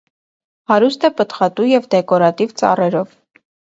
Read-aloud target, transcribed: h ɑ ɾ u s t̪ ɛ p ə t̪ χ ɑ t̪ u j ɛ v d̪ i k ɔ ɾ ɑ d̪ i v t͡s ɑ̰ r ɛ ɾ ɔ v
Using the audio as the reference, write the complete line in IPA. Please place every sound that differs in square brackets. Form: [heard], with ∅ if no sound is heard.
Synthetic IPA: h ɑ ɾ u s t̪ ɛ p ə t̪ χ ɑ t̪ u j ɛ v d̪ [ɛ] k ɔ ɾ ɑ [t̪] i v t͡s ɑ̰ r ɛ ɾ ɔ v